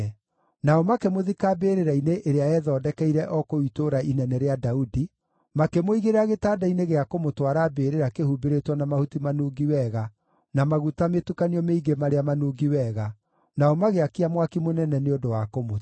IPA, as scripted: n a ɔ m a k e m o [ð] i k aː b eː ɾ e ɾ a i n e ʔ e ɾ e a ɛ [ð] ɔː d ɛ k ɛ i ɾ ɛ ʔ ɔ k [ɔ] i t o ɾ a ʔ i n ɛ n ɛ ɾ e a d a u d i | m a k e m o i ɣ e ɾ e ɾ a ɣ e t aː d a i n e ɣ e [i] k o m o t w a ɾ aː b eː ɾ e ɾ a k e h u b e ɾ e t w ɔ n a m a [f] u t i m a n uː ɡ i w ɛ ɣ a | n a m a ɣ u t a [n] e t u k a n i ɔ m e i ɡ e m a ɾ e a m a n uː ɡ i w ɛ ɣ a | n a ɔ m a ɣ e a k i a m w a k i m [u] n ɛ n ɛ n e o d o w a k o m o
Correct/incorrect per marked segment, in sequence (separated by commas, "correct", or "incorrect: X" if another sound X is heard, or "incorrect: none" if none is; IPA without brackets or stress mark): correct, correct, incorrect: o, incorrect: a, incorrect: h, incorrect: m, incorrect: o